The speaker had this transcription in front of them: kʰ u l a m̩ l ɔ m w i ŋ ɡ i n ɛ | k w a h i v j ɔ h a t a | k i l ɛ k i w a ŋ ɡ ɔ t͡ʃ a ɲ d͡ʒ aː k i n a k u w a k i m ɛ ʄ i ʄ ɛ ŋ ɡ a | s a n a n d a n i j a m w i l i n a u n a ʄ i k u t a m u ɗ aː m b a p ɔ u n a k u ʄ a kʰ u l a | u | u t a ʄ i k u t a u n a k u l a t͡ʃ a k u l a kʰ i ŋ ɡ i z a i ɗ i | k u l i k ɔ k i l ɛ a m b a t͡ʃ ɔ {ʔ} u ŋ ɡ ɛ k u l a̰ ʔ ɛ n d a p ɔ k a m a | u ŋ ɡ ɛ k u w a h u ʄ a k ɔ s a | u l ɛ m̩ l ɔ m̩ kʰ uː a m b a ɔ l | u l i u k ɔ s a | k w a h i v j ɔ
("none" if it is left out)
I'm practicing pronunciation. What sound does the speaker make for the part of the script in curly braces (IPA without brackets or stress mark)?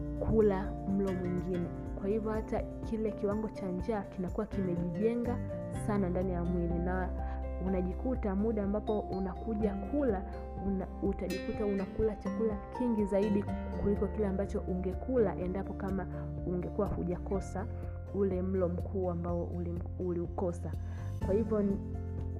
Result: ʔ